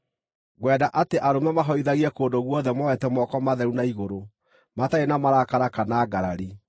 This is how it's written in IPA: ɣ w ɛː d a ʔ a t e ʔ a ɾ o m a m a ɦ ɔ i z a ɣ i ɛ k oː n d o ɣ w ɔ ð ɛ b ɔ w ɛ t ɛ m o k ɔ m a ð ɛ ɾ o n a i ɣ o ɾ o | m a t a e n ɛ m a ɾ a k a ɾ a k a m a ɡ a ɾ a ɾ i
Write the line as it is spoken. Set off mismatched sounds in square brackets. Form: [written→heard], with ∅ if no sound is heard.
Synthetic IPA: ɣ w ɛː d a ʔ a t e ʔ a ɾ o m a m a ɦ ɔ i [z→ð] a ɣ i ɛ k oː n d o ɣ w ɔ ð ɛ [b→m] ɔ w ɛ t ɛ m [o→ɔ] k ɔ m a ð ɛ ɾ [o→u] n a i ɣ o ɾ o | m a t a e n [ɛ→a] m a ɾ a k a ɾ a k a [m→n] a ɡ a ɾ a ɾ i